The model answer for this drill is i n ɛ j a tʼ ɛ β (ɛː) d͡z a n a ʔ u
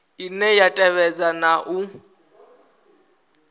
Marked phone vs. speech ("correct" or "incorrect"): incorrect